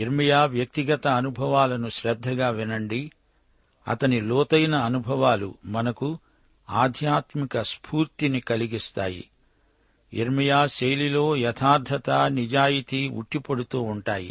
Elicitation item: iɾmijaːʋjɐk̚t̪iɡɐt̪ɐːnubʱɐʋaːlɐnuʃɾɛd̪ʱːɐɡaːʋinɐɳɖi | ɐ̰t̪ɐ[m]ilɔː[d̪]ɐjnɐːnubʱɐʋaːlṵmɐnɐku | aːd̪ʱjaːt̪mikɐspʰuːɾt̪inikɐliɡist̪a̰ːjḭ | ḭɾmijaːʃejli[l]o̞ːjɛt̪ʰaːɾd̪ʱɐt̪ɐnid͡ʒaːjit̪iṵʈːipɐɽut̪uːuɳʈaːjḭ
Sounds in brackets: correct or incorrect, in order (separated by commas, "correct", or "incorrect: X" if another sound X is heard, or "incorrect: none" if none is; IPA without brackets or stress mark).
incorrect: n, incorrect: t̪, correct